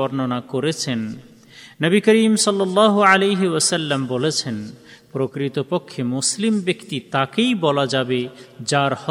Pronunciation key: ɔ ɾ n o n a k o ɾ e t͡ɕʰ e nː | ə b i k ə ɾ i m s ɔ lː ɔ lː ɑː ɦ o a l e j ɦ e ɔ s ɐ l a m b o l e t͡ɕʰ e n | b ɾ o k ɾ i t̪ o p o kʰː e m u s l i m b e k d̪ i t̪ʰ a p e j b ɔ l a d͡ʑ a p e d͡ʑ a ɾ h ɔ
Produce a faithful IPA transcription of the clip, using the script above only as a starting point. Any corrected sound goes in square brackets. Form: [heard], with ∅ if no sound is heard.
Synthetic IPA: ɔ ɾ n o n a k o ɾ e t͡ɕʰ e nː | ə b i k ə ɾ i m s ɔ lː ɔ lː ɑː ɦ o a l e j ɦ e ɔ s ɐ [lː] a m b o l e t͡ɕʰ e n | [p] ɾ o k ɾ i t̪ o p o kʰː e m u s l i m b e k [t̪] i [t̪] a [k] e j b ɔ l a d͡ʑ a [b] e d͡ʑ a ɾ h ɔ